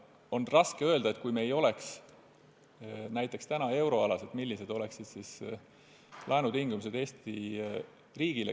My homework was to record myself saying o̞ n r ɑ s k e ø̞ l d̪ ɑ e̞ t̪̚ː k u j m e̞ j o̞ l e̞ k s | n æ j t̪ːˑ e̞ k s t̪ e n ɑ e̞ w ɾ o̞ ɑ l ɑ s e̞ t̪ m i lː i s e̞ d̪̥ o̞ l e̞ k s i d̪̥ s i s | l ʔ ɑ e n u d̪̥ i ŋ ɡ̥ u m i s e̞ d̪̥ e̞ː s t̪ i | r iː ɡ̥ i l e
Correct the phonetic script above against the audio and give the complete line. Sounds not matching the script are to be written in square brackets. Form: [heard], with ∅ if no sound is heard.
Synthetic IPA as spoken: o̞ n r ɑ s k e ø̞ l d̪ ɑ e̞ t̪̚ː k u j m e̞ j o̞ l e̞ k s | n æ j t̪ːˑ e̞ k s t̪ [æ] n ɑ e̞ w ɾ o̞ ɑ l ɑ s e̞ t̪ m i lː i s e̞ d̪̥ o̞ l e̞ k s i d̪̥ s i s | l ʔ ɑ e n u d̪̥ i ŋ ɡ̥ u m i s e̞ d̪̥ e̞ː s t̪ i | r iː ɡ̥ i l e

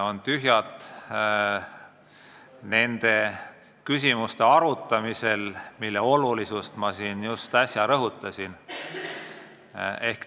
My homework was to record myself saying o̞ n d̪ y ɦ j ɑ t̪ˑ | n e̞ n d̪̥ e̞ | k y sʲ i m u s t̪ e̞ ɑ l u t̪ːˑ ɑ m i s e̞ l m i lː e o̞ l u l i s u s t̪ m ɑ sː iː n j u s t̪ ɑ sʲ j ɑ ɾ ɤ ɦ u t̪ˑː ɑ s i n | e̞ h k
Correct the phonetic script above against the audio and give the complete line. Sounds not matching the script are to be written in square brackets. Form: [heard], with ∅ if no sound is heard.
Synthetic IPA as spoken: o̞ n [t̪] y ɦ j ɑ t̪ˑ | n e̞ n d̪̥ e̞ | k y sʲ i m u s t̪ e̞ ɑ [ɾ] u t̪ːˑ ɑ m i s e̞ l m i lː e o̞ l u l i s u s t̪ m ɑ [s] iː n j u s t̪ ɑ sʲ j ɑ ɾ ɤ ɦ u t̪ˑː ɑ s i n | e̞ h k

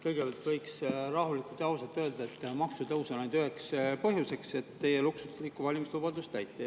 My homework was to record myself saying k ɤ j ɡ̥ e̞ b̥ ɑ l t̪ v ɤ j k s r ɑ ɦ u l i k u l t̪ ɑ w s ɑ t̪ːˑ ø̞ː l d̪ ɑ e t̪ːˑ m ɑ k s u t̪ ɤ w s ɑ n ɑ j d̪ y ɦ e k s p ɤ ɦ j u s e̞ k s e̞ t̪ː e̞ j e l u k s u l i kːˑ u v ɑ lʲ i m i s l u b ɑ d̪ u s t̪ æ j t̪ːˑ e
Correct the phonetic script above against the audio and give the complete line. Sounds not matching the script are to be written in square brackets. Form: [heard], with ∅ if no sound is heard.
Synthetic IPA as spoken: k ɤ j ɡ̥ e̞ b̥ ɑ l t̪ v ɤ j k s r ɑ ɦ u l i k u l t̪ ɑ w s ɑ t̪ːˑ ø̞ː l d̪ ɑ e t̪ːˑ m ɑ k s u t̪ ɤ w s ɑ n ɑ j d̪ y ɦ e k s p ɤ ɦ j u s e̞ k s e̞ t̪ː e̞ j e l u k s u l i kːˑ u v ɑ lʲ i m i s l u b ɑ d̪ u s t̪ æ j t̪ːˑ e

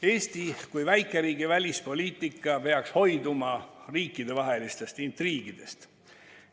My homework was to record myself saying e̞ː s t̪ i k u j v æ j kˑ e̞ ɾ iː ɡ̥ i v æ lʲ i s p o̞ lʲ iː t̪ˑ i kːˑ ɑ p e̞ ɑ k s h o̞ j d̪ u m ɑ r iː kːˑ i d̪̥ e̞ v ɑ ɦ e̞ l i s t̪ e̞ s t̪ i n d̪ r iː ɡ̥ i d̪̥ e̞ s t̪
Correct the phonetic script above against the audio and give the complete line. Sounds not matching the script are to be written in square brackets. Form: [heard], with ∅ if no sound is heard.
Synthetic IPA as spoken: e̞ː s t̪ i k u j v æ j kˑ e̞ ɾ iː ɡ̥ i v æ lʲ i s p o̞ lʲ iː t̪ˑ i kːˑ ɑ p e̞ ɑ k s h o̞ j d̪ u m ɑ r iː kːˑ i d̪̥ e̞ v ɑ ɦ e̞ l i s t̪ e̞ s t̪ i n [t̪] r iː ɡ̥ i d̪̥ e̞ s t̪

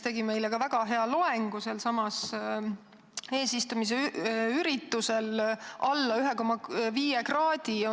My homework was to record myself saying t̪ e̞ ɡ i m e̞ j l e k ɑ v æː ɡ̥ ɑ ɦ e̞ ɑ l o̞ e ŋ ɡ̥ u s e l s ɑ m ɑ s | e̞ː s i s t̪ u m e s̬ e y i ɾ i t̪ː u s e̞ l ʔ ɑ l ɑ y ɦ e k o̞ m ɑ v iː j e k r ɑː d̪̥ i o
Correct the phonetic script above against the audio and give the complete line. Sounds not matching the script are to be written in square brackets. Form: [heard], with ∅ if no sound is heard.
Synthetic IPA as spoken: t̪ e̞ ɡ i m e̞ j l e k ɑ v [æ] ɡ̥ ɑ ɦ e̞ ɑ l o̞ e ŋ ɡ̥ u s e l s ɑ m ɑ s | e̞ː s i s t̪ u m [i] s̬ e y [y] ɾ i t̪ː u s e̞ l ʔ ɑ [lː] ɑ y ɦ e k o̞ m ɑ v iː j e k r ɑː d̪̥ i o

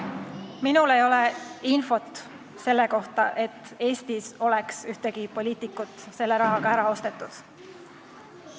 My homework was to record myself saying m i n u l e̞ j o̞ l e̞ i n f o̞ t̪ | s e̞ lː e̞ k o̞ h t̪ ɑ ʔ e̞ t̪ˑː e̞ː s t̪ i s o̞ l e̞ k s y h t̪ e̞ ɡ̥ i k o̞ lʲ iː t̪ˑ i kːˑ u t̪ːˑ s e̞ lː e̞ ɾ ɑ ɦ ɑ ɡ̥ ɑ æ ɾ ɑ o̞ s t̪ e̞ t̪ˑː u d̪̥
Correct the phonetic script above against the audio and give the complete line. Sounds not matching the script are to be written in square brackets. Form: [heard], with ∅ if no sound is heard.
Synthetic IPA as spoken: m i n u l e̞ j o̞ l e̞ i n f o̞ t̪ | s e̞ lː e̞ k o̞ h t̪ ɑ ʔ e̞ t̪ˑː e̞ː s t̪ i s o̞ l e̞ k s y h t̪ e̞ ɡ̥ i [p] o̞ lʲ iː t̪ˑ i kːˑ u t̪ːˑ s e̞ lː e̞ ɾ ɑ ɦ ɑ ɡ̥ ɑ æ ɾ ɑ o̞ s t̪ e̞ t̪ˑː u d̪̥

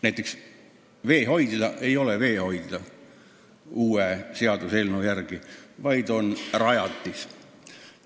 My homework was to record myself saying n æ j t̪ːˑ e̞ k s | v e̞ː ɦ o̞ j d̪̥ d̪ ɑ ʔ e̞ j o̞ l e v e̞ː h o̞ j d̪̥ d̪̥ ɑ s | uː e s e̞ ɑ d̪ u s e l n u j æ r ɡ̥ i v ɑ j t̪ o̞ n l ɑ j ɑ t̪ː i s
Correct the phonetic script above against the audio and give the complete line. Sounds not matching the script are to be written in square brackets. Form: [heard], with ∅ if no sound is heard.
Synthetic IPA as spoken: n æ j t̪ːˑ e̞ k s | v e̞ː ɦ o̞ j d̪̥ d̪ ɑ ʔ e̞ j o̞ l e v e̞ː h o̞ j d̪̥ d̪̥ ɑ [∅] | uː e s e̞ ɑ d̪ u s e l n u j æ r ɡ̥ i v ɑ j [d̪] o̞ n [r] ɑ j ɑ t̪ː i s

